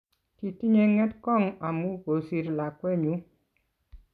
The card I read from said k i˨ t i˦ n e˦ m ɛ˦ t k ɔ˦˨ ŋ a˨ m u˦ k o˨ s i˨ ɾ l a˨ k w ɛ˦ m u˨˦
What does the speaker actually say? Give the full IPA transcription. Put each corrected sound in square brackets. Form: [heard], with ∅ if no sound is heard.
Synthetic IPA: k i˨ t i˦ [ɲ] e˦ [ŋ] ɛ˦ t k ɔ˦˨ ŋ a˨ m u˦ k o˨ s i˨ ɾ l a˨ k w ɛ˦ [ɲ] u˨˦

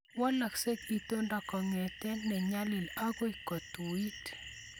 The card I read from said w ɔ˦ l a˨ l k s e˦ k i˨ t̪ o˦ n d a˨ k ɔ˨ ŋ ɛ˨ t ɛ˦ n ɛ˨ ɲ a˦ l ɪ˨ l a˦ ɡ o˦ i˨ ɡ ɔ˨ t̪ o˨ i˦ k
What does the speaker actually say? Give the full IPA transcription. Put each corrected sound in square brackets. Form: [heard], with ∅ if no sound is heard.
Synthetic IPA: w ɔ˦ l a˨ [∅] k s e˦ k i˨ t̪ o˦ n d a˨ k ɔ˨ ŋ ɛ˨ t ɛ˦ n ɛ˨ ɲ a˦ l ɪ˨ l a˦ ɡ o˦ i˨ [k] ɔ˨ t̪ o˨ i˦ [t]

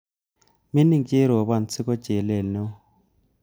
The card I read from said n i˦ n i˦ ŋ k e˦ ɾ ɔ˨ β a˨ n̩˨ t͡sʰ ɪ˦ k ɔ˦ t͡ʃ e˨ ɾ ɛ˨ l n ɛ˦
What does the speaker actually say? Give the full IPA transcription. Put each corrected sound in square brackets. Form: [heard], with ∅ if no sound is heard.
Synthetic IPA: [m] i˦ n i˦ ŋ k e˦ ɾ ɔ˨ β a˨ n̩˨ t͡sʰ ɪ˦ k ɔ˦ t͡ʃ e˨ [l] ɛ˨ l n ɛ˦

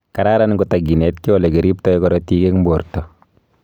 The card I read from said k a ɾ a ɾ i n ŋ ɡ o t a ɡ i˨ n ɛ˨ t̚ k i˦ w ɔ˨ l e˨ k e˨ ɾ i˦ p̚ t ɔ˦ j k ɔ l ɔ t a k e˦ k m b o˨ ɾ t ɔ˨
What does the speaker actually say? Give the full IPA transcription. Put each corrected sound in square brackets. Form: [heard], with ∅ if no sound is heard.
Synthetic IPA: k a ɾ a ɾ [a] n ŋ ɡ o t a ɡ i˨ n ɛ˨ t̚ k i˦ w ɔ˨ l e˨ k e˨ ɾ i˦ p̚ t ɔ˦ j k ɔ [ɾ] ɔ t [i] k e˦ k m b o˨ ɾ t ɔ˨

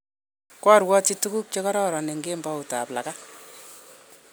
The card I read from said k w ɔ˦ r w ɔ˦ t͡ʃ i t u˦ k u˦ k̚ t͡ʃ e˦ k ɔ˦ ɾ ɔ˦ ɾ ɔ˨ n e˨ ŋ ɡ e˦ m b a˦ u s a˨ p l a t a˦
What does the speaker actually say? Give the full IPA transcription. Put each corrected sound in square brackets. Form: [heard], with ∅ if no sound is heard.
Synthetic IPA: k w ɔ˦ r w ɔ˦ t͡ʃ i t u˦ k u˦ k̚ t͡ʃ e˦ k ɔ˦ ɾ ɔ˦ ɾ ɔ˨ n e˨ ŋ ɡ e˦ m b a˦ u [t] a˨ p l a [k] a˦

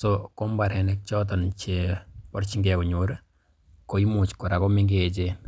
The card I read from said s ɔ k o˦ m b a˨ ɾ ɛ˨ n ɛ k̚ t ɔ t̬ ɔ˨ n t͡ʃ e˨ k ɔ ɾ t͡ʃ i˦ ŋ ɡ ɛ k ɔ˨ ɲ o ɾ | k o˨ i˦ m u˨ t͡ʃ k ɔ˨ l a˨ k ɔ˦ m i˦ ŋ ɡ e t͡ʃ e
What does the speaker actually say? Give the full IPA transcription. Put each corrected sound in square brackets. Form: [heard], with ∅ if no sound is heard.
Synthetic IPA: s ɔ k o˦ m b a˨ ɾ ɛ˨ n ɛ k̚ [t͡ʃ] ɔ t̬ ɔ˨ n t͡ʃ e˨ [p] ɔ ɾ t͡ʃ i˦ ŋ ɡ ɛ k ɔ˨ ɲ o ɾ | k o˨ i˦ m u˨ t͡ʃ k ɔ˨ [ɾ] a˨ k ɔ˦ m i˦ ŋ ɡ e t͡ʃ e

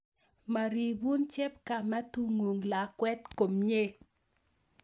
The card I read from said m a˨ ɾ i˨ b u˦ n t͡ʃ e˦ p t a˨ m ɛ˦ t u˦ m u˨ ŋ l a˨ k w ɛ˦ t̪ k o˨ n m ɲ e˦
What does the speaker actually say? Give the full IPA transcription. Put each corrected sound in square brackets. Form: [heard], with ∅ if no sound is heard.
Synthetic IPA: m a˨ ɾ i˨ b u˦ n t͡ʃ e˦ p [k] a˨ m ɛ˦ t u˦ [ŋ] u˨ ŋ l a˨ k w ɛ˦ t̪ k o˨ [∅] m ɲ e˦

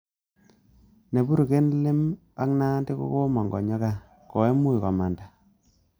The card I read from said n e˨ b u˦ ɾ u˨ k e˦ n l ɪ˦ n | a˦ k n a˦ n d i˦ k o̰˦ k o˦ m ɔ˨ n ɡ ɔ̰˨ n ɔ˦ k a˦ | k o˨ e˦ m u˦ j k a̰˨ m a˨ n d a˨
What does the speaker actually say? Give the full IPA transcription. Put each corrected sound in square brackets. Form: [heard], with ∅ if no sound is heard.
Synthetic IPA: n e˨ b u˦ ɾ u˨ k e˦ n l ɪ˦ [m] | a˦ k n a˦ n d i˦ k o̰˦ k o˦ m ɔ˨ [ŋ] ɡ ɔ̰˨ [ɲ] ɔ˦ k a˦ | k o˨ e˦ m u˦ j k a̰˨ m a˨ n d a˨

